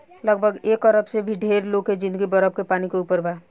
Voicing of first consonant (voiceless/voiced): voiced